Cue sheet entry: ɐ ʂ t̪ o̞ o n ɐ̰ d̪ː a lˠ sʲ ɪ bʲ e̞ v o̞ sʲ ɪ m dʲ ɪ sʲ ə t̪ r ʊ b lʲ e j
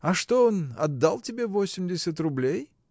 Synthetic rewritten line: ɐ ʂ t̪ o̞ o n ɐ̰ d̪ː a lˠ tʲ ɪ bʲ e̞ v o̞ sʲ ɪ m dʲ ɪ sʲ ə t̪ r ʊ b lʲ e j